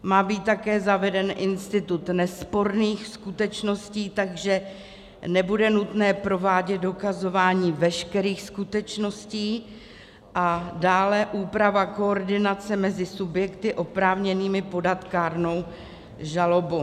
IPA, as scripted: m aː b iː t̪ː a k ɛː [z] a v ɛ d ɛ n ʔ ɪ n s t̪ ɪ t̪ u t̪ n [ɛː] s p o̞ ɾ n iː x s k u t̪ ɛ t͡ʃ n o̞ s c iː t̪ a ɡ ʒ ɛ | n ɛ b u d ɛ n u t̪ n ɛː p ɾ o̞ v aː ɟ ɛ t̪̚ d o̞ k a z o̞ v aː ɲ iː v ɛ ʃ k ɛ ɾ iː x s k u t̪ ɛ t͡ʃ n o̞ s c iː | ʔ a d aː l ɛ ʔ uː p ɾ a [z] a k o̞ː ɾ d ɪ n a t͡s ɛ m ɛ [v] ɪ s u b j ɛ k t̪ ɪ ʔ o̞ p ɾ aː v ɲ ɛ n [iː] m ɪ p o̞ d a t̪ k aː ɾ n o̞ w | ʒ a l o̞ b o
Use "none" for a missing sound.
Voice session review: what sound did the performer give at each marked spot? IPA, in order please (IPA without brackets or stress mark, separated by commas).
z, ɛ, v, z, iː